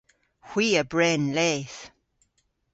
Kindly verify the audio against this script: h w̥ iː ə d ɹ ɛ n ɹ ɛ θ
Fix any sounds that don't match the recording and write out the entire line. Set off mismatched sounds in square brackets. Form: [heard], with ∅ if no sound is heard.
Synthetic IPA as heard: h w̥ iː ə [b] ɹ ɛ n [l] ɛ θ